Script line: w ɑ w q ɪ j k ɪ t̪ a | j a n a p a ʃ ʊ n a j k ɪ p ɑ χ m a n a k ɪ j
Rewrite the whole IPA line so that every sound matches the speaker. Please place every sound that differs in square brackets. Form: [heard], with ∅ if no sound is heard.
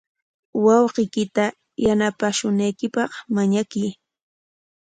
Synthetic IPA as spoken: w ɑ w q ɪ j k ɪ t̪ a | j a n a p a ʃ ʊ n a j k ɪ p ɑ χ m a [ɲ] a k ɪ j